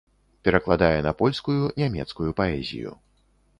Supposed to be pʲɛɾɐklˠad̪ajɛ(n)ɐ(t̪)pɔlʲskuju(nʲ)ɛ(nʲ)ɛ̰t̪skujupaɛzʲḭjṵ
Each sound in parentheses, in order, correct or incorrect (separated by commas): correct, incorrect, correct, incorrect